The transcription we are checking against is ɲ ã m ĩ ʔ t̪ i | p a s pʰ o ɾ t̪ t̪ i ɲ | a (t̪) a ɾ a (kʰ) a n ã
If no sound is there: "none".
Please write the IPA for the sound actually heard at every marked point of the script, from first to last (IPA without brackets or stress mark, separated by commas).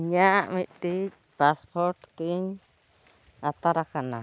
t̪, k